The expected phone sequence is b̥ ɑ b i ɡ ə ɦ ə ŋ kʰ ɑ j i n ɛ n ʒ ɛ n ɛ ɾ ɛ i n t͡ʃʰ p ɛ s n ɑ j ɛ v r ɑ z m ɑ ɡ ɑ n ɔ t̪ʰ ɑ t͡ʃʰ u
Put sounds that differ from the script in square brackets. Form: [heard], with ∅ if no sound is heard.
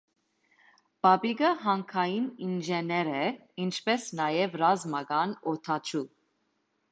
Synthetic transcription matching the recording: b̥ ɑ b i ɡ ə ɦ [ɑ] ŋ kʰ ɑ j i n [i] n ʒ ɛ n ɛ ɾ ɛ i n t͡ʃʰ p ɛ s n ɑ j ɛ v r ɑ z m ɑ ɡ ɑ n ɔ t̪ʰ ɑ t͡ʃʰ u